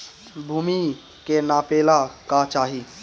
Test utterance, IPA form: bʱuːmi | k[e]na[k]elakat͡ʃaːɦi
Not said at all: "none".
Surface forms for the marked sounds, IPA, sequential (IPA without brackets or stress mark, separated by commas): e, p